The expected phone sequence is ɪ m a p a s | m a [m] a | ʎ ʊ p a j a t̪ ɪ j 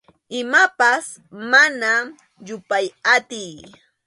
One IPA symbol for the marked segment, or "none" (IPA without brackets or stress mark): n